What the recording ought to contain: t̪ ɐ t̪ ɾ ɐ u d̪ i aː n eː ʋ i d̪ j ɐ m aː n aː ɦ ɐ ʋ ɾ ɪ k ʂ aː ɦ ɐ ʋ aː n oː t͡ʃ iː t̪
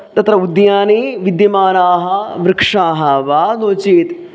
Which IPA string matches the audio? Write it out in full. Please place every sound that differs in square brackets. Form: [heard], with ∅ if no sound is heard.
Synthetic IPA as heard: t̪ ɐ t̪ ɾ ɐ u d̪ [j] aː n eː ʋ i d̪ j ɐ m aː n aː ɦ ɐ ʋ ɾ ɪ k ʂ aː ɦ ɐ ʋ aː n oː t͡ʃ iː t̪